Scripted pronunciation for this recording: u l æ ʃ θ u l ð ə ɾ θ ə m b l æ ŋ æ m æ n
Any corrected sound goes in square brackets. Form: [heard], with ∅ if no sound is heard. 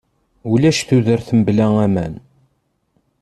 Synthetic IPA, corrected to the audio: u l æ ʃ θ u [∅] ð ə ɾ θ ə m b l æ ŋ æ m æ n